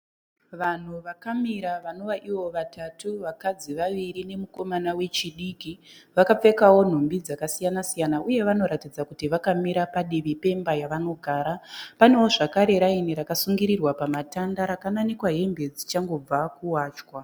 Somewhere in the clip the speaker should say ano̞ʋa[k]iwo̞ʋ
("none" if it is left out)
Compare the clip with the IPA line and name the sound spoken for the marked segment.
ʔ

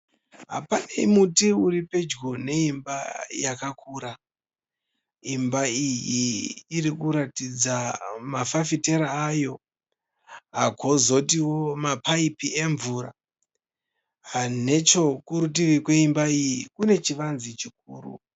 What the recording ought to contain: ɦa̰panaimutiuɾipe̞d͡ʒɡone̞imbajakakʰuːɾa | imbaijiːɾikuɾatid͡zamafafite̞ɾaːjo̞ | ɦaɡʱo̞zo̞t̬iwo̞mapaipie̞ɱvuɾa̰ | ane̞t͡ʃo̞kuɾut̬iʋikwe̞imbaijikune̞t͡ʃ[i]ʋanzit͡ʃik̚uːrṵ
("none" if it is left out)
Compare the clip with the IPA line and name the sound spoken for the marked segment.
i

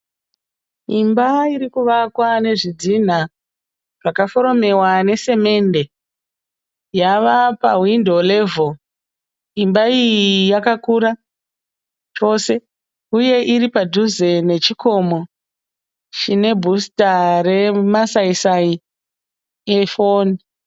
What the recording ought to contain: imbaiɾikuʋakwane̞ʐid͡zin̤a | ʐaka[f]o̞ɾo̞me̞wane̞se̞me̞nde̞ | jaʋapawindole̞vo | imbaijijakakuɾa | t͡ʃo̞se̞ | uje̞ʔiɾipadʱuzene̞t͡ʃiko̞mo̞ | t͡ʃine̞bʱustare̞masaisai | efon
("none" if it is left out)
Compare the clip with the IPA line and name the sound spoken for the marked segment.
f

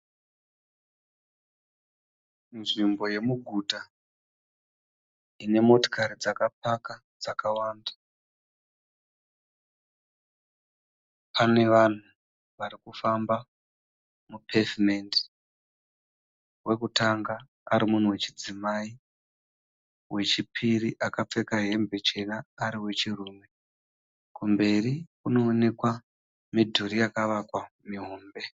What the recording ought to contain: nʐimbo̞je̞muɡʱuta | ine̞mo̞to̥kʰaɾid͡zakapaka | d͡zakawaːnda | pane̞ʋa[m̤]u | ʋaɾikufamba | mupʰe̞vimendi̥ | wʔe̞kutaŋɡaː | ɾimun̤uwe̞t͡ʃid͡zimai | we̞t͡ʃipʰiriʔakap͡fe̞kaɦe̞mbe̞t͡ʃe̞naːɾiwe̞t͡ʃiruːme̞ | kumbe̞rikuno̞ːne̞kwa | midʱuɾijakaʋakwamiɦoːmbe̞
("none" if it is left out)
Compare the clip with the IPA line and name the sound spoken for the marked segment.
n̤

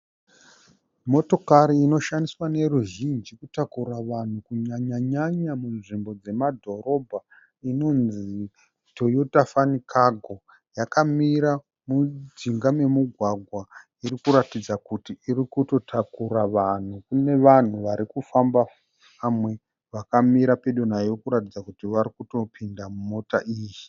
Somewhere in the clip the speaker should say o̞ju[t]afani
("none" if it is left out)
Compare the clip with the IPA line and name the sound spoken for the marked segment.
t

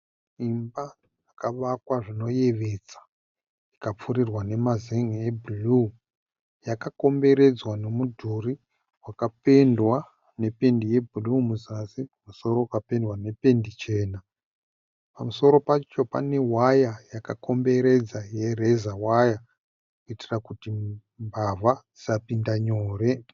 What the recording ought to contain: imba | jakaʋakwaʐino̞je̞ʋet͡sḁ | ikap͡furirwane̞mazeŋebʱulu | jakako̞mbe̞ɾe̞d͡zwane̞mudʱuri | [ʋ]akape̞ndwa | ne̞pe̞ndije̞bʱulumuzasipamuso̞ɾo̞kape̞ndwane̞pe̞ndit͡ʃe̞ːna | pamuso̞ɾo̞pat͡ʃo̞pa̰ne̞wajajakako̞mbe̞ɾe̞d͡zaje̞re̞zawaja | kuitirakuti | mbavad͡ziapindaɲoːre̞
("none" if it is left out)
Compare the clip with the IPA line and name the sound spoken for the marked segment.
w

